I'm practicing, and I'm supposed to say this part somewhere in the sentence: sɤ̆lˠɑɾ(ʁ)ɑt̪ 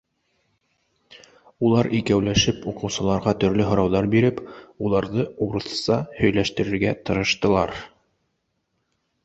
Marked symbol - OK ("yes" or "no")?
yes